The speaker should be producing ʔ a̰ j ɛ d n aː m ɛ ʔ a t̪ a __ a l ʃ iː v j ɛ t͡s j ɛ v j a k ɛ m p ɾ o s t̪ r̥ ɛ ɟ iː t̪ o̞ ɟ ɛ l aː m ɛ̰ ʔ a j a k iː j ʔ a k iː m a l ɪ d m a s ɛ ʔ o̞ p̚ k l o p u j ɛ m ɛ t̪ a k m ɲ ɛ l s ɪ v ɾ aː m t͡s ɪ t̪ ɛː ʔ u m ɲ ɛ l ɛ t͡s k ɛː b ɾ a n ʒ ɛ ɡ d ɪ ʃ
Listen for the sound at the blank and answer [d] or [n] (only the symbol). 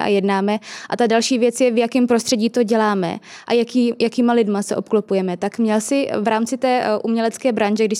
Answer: d